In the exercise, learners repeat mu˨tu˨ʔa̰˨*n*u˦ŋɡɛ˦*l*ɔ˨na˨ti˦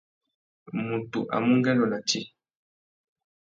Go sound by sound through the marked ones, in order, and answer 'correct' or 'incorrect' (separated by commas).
incorrect, correct